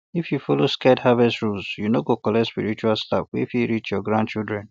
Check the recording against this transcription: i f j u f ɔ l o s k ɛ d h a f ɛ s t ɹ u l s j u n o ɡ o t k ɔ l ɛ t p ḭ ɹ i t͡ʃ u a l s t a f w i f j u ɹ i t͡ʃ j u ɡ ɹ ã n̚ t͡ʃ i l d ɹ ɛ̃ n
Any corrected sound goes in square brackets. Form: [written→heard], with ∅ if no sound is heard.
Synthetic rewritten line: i f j u f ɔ l o s k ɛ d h a [f→v] ɛ s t ɹ u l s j u n o ɡ o [t→∅] k ɔ l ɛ [t→s] p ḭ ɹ i t͡ʃ u a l s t a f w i f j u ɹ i t͡ʃ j [u→ɔ] ɡ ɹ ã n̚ t͡ʃ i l d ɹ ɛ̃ n